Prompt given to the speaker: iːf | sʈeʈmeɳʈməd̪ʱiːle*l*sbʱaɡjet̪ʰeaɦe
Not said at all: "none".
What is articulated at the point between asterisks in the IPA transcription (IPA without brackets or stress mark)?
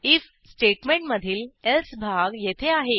l